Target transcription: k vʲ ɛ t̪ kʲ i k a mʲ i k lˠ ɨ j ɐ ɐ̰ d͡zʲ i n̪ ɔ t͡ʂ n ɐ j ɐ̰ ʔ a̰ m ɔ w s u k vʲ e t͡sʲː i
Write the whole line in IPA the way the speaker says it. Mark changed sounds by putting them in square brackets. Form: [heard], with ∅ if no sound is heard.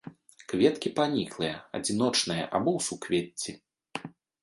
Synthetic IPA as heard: k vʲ ɛ t̪ kʲ i [p] a [nʲ] i k lˠ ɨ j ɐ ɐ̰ d͡zʲ i n̪ ɔ t͡ʂ n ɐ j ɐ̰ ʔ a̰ [b] ɔ w s u k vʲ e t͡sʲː i